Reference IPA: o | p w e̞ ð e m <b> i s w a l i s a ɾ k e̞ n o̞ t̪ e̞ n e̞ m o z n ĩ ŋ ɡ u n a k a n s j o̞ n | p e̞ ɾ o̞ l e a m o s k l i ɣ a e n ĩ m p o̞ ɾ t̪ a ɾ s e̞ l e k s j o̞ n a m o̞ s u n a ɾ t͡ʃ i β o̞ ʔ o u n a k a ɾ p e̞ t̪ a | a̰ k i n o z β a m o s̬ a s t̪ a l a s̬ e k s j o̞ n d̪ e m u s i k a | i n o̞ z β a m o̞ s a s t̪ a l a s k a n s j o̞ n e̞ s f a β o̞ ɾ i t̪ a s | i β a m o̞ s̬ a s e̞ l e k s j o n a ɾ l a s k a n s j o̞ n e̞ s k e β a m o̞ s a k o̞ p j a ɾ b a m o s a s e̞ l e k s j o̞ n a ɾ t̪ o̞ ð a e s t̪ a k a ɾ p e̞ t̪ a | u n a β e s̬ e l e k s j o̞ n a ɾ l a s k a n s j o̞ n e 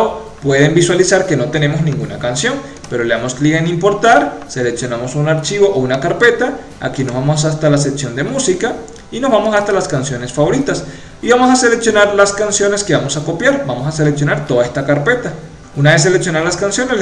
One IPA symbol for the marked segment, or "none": b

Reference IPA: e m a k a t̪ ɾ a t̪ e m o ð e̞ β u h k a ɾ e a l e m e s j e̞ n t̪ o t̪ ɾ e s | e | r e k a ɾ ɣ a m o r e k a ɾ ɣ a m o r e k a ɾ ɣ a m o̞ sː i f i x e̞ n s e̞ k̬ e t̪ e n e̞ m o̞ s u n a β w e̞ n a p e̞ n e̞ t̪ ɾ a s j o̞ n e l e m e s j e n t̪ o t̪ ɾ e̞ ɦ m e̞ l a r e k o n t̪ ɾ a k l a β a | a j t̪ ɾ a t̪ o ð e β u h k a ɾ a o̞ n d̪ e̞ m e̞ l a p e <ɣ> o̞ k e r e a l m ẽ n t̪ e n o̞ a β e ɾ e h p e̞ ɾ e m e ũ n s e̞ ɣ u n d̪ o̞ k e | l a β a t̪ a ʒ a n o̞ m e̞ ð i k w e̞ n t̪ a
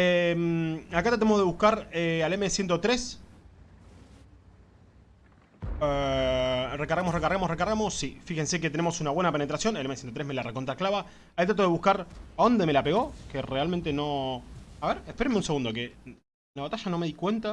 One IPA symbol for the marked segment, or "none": ɣ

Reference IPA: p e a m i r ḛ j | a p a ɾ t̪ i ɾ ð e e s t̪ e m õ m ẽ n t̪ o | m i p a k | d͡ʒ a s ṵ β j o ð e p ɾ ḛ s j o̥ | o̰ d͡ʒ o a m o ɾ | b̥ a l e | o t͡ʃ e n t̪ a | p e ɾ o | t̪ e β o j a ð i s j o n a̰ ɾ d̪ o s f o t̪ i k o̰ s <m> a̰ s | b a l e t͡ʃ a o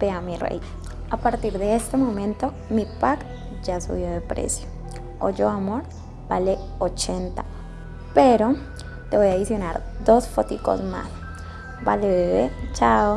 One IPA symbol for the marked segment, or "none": m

